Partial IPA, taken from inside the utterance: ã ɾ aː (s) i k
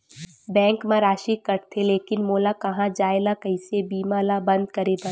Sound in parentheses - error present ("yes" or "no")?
yes